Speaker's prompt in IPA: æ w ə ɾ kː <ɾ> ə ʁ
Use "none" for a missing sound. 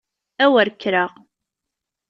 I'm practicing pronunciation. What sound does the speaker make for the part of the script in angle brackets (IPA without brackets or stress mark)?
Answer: ɾ